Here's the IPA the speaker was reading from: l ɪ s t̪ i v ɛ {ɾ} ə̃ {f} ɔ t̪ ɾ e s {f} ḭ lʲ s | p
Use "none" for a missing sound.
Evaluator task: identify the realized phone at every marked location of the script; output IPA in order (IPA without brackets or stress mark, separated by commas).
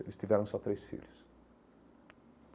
ɾ, s, f